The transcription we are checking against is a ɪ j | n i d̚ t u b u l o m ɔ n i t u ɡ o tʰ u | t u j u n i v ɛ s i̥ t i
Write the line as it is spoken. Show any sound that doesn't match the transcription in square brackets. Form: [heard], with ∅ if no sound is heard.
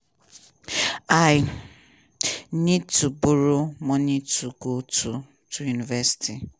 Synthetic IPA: a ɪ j | n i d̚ t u b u [ɾ] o m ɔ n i t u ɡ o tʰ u | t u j u n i v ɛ s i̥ t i